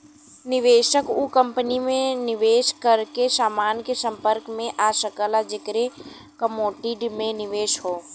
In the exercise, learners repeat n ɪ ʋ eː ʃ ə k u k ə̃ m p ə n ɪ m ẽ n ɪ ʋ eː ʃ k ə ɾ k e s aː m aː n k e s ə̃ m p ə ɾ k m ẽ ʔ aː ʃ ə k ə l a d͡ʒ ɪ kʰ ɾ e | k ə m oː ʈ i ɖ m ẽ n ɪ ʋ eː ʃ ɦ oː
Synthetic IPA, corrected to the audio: n ɪ ʋ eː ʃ ə k u k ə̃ m p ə n i m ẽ n ɪ ʋ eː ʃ k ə ɾ k e s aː m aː n k e s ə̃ m p ə ɾ k m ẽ ʔ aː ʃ ə k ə l a d͡ʒ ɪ k ɾ e | k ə m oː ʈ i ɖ m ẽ n ɪ ʋ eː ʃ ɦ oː